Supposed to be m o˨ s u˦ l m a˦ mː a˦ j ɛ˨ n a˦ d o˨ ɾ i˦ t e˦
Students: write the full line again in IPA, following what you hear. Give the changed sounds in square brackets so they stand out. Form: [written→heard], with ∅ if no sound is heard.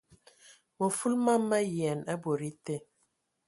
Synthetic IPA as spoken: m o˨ [s→f] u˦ l m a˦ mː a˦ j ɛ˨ n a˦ [d→b] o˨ ɾ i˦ t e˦

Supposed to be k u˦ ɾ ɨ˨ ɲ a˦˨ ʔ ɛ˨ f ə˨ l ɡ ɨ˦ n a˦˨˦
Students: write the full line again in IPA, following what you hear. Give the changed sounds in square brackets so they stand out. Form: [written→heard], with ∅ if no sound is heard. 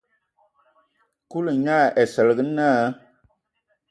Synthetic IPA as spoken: k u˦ [ɾ→l] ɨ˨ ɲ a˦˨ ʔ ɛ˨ [f→s] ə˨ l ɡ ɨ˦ n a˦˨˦

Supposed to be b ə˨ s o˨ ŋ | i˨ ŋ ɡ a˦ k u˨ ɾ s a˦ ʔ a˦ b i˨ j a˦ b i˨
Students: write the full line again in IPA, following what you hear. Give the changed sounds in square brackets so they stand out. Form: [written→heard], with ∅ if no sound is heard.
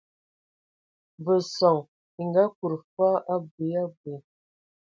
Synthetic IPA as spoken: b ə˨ s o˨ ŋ | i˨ ŋ ɡ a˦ k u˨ ɾ [s→f] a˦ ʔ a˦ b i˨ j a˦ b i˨

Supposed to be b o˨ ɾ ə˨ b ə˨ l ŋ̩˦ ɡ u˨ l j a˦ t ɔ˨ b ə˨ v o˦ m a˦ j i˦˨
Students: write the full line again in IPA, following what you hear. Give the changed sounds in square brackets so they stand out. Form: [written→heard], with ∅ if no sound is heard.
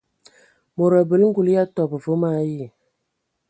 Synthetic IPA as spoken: [b→m] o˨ ɾ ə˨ b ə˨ l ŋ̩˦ ɡ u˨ l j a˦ t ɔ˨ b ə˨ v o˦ m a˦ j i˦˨

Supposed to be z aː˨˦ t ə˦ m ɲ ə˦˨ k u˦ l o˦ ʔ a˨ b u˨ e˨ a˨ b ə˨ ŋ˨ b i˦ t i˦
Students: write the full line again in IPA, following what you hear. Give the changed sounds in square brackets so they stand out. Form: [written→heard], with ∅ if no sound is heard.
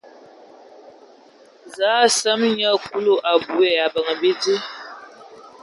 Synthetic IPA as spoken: z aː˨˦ [t→s] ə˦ m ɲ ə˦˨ k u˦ l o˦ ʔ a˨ b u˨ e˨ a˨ b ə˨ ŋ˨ b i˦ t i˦

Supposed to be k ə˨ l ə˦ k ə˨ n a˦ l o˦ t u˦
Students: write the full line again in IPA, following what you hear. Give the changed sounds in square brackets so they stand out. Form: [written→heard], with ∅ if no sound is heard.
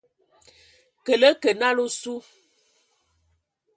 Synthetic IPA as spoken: k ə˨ l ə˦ k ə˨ n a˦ l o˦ [t→s] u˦

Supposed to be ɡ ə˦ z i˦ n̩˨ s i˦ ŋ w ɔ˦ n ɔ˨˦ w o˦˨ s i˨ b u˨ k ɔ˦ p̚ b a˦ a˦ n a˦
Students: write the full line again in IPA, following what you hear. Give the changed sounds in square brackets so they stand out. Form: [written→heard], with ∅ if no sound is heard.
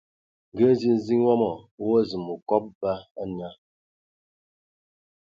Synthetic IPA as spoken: ɡ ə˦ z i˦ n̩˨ [s→z] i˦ ŋ w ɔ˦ [n→m] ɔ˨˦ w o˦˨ [s→z] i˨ [b→m] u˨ k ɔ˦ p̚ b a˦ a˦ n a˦

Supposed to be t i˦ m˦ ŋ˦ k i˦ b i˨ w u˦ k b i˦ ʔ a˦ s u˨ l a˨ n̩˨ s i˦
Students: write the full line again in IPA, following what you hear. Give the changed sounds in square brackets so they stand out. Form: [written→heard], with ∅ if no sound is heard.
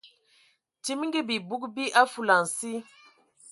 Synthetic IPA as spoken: t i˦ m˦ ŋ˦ [k→ɡ] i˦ b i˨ [w→b] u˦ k b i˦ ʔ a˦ [s→f] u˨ l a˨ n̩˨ s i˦

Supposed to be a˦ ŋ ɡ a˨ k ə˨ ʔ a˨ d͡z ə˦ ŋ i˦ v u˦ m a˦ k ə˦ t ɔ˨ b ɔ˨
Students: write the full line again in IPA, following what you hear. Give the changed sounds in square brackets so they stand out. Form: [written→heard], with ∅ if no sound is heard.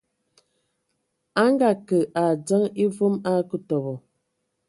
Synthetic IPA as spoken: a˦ ŋ ɡ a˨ k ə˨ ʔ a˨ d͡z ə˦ ŋ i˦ v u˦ m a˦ k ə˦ t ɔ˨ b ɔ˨

